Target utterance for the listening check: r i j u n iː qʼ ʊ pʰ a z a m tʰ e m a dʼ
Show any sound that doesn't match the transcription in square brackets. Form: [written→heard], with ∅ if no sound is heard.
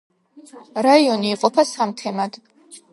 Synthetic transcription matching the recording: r [i→a] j [u→o] n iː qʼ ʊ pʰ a [z→s] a m tʰ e m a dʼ